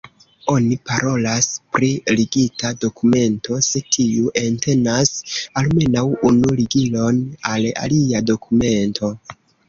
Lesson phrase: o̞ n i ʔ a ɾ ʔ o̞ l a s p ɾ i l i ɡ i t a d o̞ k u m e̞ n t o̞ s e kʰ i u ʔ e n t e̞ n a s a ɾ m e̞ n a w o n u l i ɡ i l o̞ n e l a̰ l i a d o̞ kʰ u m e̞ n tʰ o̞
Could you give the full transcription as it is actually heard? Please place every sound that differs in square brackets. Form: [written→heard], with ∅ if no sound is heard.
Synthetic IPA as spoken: o̞ n i [ʔ→p] a ɾ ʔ o̞ l a s p ɾ i l i ɡ i t a d o̞ k u m e̞ n t o̞ s e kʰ i u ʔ e n t e̞ n a s a [ɾ→l] m e̞ n a w [o→u] n u l i ɡ i l o̞ n [e→a] l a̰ l i a d o̞ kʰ u m e̞ n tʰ o̞